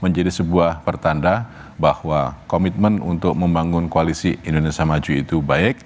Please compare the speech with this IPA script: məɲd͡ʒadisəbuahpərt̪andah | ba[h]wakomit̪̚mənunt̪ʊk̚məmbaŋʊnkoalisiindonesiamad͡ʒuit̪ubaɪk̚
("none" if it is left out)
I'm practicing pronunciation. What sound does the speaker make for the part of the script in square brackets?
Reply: h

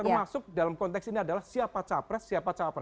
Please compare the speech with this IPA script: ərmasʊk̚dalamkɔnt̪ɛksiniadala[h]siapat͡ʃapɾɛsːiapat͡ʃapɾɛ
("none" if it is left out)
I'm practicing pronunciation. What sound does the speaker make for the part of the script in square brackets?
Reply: h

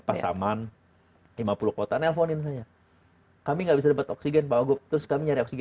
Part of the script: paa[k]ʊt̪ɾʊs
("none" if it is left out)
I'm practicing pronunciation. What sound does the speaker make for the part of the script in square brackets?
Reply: ɡ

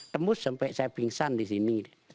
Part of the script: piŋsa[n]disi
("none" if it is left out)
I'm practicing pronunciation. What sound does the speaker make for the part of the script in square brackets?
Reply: n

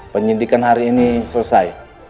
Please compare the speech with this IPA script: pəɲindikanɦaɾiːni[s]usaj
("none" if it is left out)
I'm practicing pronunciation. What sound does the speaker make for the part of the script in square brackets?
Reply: s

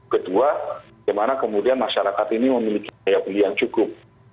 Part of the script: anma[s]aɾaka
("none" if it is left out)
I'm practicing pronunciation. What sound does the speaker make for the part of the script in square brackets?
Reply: ʃ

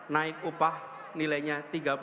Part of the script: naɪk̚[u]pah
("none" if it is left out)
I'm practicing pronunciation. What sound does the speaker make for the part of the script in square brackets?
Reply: u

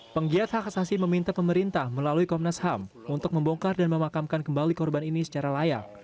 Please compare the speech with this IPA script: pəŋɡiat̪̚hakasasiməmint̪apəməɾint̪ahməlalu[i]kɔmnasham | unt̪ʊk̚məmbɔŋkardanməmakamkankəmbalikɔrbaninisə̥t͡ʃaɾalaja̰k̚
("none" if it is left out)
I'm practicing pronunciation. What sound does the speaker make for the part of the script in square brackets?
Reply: i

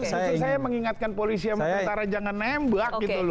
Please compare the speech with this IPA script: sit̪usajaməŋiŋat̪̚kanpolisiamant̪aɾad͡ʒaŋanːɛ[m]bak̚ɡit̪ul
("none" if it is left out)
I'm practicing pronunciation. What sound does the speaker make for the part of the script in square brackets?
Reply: m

